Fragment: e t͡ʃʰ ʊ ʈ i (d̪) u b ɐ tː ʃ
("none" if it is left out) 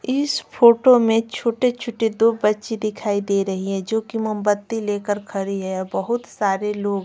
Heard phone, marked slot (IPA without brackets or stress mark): d̪